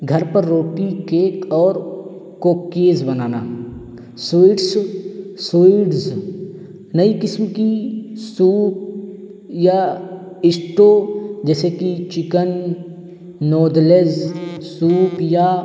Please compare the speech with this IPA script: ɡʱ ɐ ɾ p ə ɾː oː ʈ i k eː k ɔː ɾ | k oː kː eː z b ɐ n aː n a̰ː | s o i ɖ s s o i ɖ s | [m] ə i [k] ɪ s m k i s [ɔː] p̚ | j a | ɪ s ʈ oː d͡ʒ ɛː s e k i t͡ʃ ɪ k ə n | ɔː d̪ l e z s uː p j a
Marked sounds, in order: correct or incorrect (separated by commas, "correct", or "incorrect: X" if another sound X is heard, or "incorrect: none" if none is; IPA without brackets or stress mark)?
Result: incorrect: n, correct, incorrect: uː